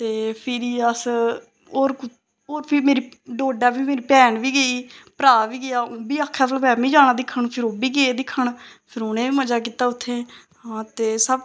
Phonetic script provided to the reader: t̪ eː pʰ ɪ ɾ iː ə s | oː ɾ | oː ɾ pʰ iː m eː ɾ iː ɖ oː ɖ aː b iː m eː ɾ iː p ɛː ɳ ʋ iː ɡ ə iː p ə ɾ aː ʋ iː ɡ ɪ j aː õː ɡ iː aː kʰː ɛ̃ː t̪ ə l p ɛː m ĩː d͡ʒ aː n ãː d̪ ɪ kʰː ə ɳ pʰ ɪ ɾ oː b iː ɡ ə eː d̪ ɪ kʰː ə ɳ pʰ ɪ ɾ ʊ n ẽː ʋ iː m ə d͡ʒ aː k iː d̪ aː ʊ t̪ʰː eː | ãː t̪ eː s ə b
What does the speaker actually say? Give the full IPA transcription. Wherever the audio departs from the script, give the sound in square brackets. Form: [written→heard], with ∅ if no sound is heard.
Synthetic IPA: t̪ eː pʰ ɪ ɾ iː ə s | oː ɾ | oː ɾ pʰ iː m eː ɾ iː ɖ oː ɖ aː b iː m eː ɾ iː p ɛː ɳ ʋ iː ɡ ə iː p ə ɾ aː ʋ iː ɡ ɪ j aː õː [ɡ→b] iː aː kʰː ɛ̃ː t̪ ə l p ɛː m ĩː d͡ʒ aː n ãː d̪ ɪ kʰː ə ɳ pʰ ɪ ɾ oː b iː ɡ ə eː d̪ ɪ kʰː ə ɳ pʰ ɪ ɾ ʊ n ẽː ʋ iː m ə d͡ʒ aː k iː [d̪→t̪] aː ʊ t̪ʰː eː | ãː t̪ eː s ə b